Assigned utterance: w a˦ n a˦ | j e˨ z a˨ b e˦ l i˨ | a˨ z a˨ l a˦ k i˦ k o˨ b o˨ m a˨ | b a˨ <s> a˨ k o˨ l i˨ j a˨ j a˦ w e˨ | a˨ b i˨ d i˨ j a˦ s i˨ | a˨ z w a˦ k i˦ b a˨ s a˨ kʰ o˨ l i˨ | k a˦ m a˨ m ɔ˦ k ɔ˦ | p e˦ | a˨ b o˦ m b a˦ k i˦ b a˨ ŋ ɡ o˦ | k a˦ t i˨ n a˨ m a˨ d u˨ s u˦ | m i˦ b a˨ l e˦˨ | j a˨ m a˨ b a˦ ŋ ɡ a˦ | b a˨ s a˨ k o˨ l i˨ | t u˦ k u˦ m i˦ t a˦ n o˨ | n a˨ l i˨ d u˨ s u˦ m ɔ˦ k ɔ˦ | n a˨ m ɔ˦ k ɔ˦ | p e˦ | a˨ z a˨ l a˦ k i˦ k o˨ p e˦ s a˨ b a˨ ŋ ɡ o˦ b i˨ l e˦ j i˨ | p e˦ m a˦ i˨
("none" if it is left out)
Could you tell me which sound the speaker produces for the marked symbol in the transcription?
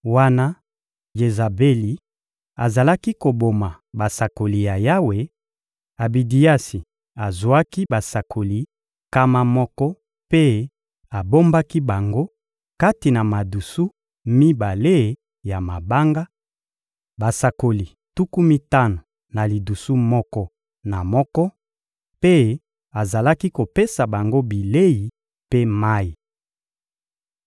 s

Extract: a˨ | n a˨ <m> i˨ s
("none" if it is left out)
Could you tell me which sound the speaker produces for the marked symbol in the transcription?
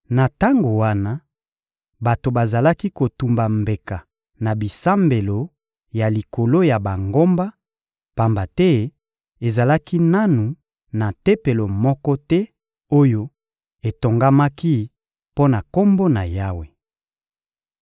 b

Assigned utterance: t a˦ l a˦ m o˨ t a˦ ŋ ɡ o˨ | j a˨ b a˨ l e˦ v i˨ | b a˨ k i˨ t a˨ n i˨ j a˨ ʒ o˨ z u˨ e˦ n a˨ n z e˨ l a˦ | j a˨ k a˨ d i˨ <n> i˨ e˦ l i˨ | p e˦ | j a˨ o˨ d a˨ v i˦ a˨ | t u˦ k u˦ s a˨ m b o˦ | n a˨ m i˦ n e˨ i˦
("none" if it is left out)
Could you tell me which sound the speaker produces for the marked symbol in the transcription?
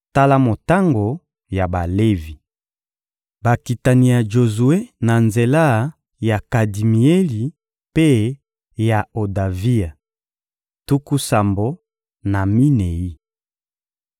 m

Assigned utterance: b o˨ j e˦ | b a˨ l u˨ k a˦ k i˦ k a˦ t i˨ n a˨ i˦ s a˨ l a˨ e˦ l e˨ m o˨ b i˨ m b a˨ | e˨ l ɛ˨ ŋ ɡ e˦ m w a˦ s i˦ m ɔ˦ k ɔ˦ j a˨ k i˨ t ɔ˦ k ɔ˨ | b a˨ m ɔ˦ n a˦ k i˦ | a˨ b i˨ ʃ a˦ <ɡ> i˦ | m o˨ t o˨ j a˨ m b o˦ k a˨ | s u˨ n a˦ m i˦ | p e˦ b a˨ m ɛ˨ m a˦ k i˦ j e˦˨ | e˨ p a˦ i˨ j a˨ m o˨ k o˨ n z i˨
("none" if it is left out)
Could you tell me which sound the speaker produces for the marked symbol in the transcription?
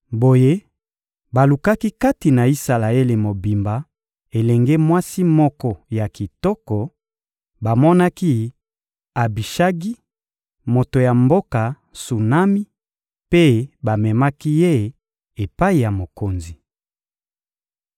ɡ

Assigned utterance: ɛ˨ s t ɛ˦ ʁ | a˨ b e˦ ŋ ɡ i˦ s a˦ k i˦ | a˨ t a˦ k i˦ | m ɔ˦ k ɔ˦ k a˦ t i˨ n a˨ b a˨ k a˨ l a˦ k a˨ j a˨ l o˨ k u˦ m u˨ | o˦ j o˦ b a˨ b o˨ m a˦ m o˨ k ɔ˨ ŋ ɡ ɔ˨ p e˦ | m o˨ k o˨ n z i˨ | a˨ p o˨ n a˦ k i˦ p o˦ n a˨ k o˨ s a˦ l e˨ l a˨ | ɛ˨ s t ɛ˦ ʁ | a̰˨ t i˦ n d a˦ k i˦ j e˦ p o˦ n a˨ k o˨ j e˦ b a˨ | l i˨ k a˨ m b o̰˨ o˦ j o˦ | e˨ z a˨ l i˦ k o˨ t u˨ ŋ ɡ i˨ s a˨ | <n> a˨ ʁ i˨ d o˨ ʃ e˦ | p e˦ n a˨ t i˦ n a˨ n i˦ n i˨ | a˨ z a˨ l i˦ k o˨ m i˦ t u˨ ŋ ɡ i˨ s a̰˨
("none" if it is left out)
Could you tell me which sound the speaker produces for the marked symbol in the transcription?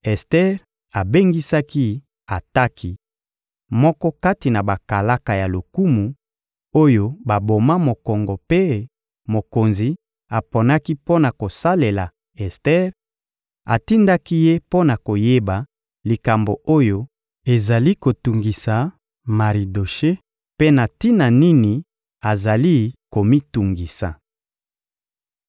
m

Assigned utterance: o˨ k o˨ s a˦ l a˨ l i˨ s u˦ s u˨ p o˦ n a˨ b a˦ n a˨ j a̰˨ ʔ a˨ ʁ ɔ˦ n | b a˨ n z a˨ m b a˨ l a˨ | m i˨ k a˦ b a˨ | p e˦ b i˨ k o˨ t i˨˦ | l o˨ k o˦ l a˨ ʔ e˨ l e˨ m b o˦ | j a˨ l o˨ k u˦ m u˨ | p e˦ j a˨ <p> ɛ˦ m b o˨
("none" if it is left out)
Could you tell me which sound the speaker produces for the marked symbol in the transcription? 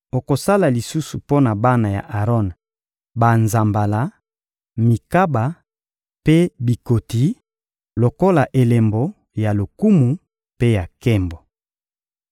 k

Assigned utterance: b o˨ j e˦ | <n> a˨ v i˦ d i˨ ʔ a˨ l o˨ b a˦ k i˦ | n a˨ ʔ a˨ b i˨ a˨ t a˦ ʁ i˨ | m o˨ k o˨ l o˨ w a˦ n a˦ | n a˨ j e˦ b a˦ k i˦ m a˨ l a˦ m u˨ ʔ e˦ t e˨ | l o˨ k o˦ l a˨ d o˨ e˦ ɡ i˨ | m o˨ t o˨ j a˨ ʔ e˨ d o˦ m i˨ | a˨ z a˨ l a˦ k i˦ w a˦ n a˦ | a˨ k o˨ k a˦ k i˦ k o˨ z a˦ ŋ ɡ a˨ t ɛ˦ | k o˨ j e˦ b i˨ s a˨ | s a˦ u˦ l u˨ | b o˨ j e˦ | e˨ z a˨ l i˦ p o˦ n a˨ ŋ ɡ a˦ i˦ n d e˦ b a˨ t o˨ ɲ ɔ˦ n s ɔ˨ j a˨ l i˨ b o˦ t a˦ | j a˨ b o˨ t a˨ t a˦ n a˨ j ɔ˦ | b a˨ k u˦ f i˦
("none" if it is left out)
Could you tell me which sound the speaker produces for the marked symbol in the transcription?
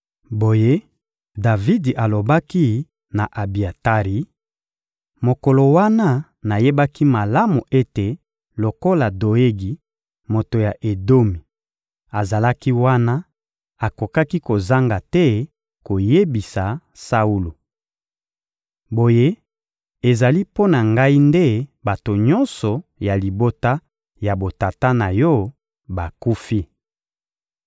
d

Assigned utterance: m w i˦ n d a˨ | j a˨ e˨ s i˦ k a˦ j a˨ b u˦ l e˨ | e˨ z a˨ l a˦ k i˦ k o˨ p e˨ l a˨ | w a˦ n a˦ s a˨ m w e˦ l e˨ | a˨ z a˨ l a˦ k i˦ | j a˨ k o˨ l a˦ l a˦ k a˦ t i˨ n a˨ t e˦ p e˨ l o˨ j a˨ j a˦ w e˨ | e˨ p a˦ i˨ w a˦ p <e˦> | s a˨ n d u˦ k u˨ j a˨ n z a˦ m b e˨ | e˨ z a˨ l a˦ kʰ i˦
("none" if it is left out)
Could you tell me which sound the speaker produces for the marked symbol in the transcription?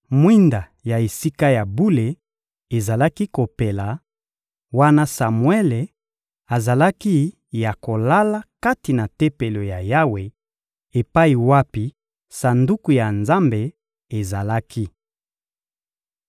i˦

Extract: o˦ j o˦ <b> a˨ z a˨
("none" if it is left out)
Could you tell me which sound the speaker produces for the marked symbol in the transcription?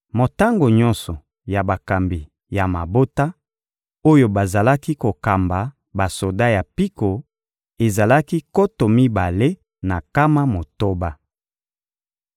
b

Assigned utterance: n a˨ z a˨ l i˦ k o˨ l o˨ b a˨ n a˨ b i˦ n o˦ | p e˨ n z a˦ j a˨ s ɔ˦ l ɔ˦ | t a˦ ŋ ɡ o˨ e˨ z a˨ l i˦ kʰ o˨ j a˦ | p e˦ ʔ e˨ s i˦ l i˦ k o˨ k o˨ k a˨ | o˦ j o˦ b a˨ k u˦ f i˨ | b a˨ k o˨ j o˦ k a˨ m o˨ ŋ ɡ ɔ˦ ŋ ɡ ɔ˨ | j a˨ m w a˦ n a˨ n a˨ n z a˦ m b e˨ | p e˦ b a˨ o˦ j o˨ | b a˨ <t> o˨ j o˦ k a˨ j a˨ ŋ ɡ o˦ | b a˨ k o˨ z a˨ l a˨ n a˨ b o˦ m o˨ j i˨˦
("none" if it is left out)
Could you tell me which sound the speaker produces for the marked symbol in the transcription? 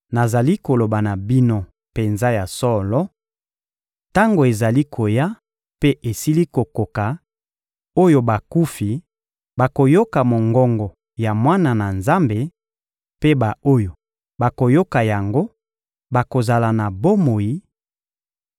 k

